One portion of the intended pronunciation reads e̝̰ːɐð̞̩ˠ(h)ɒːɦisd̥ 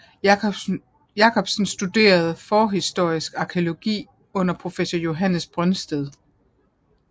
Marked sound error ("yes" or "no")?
yes